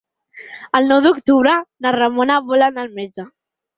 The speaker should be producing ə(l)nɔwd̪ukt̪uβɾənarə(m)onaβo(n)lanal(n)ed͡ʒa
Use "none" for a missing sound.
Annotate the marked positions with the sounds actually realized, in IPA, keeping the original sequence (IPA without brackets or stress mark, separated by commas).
l, m, none, m